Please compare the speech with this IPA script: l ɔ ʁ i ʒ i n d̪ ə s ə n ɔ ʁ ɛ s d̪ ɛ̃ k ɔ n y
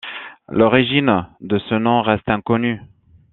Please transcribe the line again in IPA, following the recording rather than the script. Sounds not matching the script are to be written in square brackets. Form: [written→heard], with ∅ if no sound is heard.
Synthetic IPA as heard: l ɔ ʁ i ʒ i n d̪ ə s ə n [ɔ→ɔ̃] ʁ ɛ s [d̪→t̪] ɛ̃ k ɔ n y